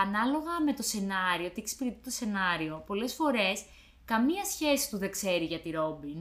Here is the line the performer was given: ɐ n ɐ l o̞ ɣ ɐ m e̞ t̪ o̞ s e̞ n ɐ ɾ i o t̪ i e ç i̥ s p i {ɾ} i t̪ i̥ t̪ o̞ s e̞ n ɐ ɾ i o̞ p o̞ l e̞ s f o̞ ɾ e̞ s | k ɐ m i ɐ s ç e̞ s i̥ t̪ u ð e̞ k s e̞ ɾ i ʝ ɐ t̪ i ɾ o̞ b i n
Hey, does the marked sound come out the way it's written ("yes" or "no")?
yes